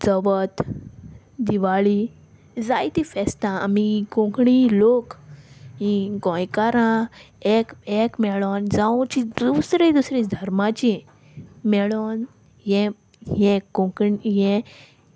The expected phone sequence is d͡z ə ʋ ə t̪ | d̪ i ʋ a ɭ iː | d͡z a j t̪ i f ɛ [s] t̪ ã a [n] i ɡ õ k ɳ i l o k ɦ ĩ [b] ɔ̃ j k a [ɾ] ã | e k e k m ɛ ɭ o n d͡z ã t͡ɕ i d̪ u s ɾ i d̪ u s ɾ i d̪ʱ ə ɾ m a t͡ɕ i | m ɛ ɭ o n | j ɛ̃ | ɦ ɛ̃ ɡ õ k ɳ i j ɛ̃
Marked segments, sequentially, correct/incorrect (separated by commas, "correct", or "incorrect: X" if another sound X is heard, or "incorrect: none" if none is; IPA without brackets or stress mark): correct, incorrect: m, incorrect: ɡ, correct